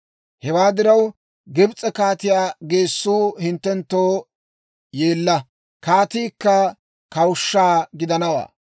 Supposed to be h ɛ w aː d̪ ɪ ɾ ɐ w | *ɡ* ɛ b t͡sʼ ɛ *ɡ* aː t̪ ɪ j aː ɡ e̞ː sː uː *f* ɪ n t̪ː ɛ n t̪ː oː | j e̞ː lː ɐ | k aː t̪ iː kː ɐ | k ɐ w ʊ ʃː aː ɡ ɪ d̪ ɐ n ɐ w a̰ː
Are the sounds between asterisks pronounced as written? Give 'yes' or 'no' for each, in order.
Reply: yes, no, no

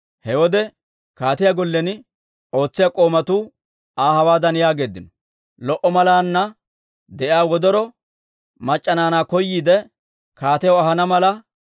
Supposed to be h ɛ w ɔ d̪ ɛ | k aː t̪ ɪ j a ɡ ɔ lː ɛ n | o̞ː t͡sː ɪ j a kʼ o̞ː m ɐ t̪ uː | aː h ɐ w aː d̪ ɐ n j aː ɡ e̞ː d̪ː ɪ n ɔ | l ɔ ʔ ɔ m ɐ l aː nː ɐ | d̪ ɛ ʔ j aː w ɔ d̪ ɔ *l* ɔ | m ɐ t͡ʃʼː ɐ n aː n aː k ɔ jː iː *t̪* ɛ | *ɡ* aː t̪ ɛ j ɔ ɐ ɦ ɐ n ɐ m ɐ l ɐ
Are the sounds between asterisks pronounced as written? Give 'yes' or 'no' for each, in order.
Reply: no, no, no

